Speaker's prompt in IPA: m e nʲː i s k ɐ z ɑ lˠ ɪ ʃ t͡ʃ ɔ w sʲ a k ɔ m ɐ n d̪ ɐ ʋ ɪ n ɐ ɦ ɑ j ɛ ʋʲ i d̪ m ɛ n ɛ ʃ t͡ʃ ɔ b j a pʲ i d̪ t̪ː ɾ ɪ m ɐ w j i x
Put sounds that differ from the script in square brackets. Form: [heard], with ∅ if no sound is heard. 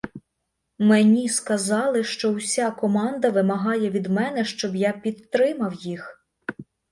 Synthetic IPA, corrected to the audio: m e [nʲ] i s k ɐ z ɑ lˠ ɪ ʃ t͡ʃ ɔ w sʲ a k ɔ m [ɑ] n d̪ ɐ ʋ ɪ [m] ɐ ɦ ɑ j ɛ ʋʲ i d̪ m ɛ n ɛ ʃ t͡ʃ ɔ b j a pʲ i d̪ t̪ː ɾ ɪ m ɐ w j i x